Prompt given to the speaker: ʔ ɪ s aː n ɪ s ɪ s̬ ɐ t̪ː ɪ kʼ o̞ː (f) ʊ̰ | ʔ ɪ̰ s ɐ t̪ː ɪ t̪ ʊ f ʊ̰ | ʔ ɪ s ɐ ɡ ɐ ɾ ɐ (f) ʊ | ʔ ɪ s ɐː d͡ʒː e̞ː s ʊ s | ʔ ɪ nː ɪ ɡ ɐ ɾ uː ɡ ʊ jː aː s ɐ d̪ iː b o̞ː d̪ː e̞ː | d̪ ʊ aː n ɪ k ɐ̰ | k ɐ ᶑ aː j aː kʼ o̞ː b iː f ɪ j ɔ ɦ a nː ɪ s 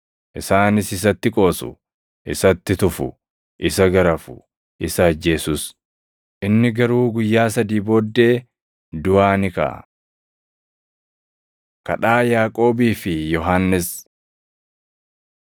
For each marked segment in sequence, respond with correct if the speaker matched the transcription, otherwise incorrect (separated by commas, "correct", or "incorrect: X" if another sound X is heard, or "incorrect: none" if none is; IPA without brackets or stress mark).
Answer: incorrect: s, correct